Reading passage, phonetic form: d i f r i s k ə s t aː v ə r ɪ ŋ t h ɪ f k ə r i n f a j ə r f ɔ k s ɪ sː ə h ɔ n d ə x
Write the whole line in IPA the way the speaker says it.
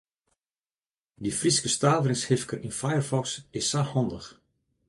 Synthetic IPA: d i f r i s k ə s t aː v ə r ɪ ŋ s h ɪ f k ə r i n f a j ə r f ɔ k s ɪ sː a h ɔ n d ə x